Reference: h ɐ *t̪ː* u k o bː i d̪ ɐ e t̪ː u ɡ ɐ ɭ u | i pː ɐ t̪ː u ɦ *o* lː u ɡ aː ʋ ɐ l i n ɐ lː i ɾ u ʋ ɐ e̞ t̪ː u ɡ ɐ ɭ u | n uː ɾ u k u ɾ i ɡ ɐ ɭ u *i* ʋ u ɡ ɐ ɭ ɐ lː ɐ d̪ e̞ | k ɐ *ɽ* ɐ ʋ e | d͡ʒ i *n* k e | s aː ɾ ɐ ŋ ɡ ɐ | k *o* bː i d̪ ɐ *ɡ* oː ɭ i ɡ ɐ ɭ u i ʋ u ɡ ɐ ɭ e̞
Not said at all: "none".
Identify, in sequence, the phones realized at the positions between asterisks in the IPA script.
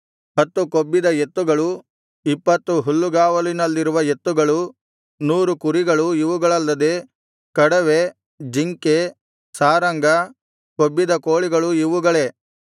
t̪ː, u, i, ɽ, ŋ, o, k

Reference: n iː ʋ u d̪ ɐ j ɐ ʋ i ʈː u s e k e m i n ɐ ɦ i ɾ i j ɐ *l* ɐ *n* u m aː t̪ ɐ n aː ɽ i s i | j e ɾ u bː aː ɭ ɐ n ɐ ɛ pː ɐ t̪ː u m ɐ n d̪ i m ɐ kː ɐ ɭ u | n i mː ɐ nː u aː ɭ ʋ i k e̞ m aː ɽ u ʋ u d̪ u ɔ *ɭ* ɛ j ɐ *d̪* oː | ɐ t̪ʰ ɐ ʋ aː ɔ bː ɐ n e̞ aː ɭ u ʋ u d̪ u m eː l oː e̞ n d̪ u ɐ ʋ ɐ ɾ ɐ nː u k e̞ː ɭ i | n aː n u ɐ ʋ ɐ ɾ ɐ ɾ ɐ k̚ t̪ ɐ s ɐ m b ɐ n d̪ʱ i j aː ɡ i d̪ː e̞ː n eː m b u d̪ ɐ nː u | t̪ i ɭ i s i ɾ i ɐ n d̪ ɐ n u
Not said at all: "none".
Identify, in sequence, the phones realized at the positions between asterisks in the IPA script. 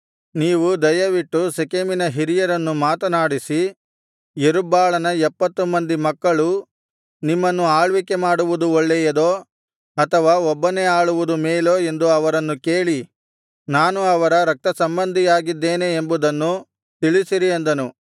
ɾ, nː, ɭː, d̪

